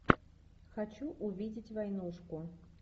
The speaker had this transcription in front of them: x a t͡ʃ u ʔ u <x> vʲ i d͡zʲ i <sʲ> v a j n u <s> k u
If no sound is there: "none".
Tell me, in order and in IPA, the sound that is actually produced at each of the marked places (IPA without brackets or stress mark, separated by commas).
none, t͡sʲ, ʂ